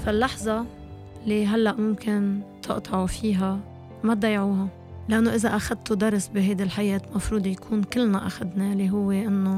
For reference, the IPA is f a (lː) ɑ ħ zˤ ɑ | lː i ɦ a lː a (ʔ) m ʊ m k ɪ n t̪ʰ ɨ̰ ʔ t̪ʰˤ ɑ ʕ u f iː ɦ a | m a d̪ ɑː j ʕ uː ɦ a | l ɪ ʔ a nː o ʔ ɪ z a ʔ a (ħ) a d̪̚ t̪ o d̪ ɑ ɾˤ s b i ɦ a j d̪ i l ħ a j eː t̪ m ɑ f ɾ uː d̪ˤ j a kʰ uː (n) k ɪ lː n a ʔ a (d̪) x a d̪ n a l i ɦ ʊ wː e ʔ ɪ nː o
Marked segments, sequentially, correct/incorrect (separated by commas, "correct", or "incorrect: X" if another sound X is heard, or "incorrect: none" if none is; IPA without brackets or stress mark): correct, correct, incorrect: x, correct, incorrect: none